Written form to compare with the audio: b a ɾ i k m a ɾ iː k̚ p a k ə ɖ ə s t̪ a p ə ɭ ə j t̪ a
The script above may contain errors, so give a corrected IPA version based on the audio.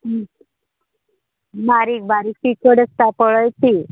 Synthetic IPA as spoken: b a ɾ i k b a ɾ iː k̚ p i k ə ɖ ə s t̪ a p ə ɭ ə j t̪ i